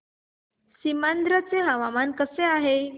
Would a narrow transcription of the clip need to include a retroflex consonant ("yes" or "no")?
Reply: no